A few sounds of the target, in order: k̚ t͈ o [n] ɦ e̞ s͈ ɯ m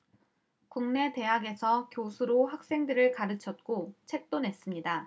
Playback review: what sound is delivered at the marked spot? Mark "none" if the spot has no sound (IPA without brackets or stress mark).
n